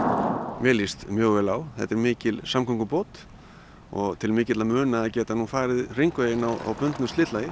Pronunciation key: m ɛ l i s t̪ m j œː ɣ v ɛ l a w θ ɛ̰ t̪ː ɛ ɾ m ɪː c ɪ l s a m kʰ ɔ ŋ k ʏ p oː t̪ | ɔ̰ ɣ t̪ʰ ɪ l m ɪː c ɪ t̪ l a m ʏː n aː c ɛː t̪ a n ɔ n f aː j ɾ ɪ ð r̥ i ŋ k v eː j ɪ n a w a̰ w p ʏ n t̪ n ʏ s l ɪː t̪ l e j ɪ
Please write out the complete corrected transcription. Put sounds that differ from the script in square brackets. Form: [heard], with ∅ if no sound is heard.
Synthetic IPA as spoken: m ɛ l i s t̪ m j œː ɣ v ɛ l a w θ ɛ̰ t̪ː ɛ ɾ m ɪː c ɪ l s a m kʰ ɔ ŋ k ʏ p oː t̪ | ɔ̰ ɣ t̪ʰ ɪ l m ɪː c ɪ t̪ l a m ʏː n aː c ɛː t̪ a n [u] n f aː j ɾ ɪ ð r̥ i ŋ k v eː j ɪ n a w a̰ w p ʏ n t̪ n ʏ s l ɪː t̪ l [a] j ɪ